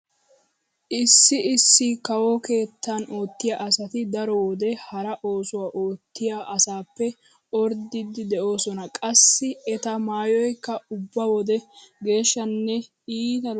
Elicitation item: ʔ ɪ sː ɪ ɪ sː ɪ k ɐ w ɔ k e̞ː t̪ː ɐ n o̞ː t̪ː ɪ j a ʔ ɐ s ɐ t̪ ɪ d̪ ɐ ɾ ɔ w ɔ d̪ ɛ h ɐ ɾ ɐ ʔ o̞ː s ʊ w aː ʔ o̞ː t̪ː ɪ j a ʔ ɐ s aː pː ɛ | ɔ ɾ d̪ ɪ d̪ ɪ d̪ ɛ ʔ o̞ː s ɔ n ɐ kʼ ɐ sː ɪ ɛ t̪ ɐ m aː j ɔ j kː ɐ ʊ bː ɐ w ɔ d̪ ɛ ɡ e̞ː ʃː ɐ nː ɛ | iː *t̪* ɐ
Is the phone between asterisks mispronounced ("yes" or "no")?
no